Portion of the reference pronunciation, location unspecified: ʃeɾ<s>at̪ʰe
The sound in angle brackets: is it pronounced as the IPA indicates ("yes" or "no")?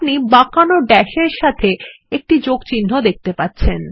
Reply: no